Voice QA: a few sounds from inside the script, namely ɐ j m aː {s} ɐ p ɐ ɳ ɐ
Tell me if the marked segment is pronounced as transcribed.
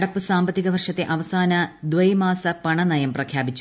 yes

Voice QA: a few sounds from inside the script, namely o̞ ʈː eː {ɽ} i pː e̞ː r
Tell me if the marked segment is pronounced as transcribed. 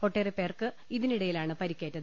no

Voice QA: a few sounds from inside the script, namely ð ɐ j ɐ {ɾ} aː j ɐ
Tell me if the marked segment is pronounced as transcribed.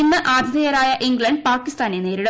yes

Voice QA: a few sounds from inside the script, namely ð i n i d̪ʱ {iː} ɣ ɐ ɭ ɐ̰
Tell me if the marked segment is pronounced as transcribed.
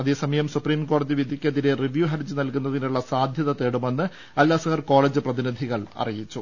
no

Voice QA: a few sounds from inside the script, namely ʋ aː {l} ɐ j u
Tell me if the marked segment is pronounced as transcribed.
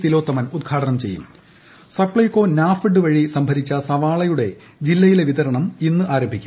no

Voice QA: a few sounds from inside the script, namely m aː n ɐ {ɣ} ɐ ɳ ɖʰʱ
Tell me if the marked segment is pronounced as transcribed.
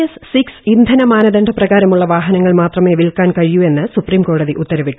no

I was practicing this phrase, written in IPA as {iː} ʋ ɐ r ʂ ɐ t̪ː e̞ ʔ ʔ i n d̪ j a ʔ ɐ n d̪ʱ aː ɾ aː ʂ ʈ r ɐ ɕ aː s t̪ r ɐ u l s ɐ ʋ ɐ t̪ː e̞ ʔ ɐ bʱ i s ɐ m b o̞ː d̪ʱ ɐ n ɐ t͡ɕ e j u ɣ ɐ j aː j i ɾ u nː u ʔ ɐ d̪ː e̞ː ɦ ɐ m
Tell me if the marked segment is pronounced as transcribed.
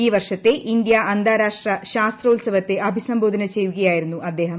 yes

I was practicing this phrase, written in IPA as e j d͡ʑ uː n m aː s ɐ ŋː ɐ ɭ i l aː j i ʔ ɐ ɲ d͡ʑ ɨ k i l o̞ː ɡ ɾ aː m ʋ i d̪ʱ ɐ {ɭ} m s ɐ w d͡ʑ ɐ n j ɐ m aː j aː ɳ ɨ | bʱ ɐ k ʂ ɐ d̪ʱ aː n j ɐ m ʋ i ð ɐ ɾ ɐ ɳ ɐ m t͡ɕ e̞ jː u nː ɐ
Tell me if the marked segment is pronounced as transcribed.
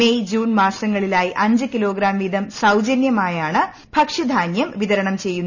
no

